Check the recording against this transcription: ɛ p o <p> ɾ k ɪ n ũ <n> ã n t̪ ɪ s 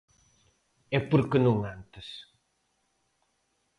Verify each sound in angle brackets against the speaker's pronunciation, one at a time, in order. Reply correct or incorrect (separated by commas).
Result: incorrect, incorrect